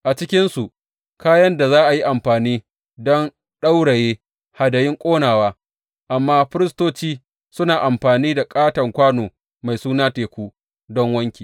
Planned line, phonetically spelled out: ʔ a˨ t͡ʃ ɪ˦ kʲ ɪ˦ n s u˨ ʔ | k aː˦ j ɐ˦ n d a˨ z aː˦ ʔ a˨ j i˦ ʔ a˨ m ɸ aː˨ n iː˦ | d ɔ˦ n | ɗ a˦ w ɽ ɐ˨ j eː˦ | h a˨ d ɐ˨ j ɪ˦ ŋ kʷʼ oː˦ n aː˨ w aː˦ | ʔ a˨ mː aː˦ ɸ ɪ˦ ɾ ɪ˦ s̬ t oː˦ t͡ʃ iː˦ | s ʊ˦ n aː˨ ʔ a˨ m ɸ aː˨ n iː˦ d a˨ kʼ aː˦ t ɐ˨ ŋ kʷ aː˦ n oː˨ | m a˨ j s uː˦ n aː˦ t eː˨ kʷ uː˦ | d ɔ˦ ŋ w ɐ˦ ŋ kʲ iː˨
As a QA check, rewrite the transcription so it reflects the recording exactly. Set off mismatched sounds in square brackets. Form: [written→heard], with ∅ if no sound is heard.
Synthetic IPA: ʔ a˨ t͡ʃ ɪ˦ kʲ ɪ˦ n s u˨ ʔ | k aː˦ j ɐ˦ n d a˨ z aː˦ ʔ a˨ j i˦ ʔ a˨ m ɸ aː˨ n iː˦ | d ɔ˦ n | ɗ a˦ w ɽ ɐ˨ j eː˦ | h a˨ d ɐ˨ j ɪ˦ ŋ kʷʼ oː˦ n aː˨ w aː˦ | ʔ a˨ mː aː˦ ɸ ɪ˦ ɾ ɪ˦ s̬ t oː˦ t͡ʃ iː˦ | s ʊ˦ n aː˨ ʔ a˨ m ɸ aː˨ n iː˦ d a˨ kʼ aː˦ t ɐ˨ ŋ kʷ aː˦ n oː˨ | m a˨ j s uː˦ n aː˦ t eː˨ kʷ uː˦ | d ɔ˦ ŋ w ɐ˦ ŋ kʲ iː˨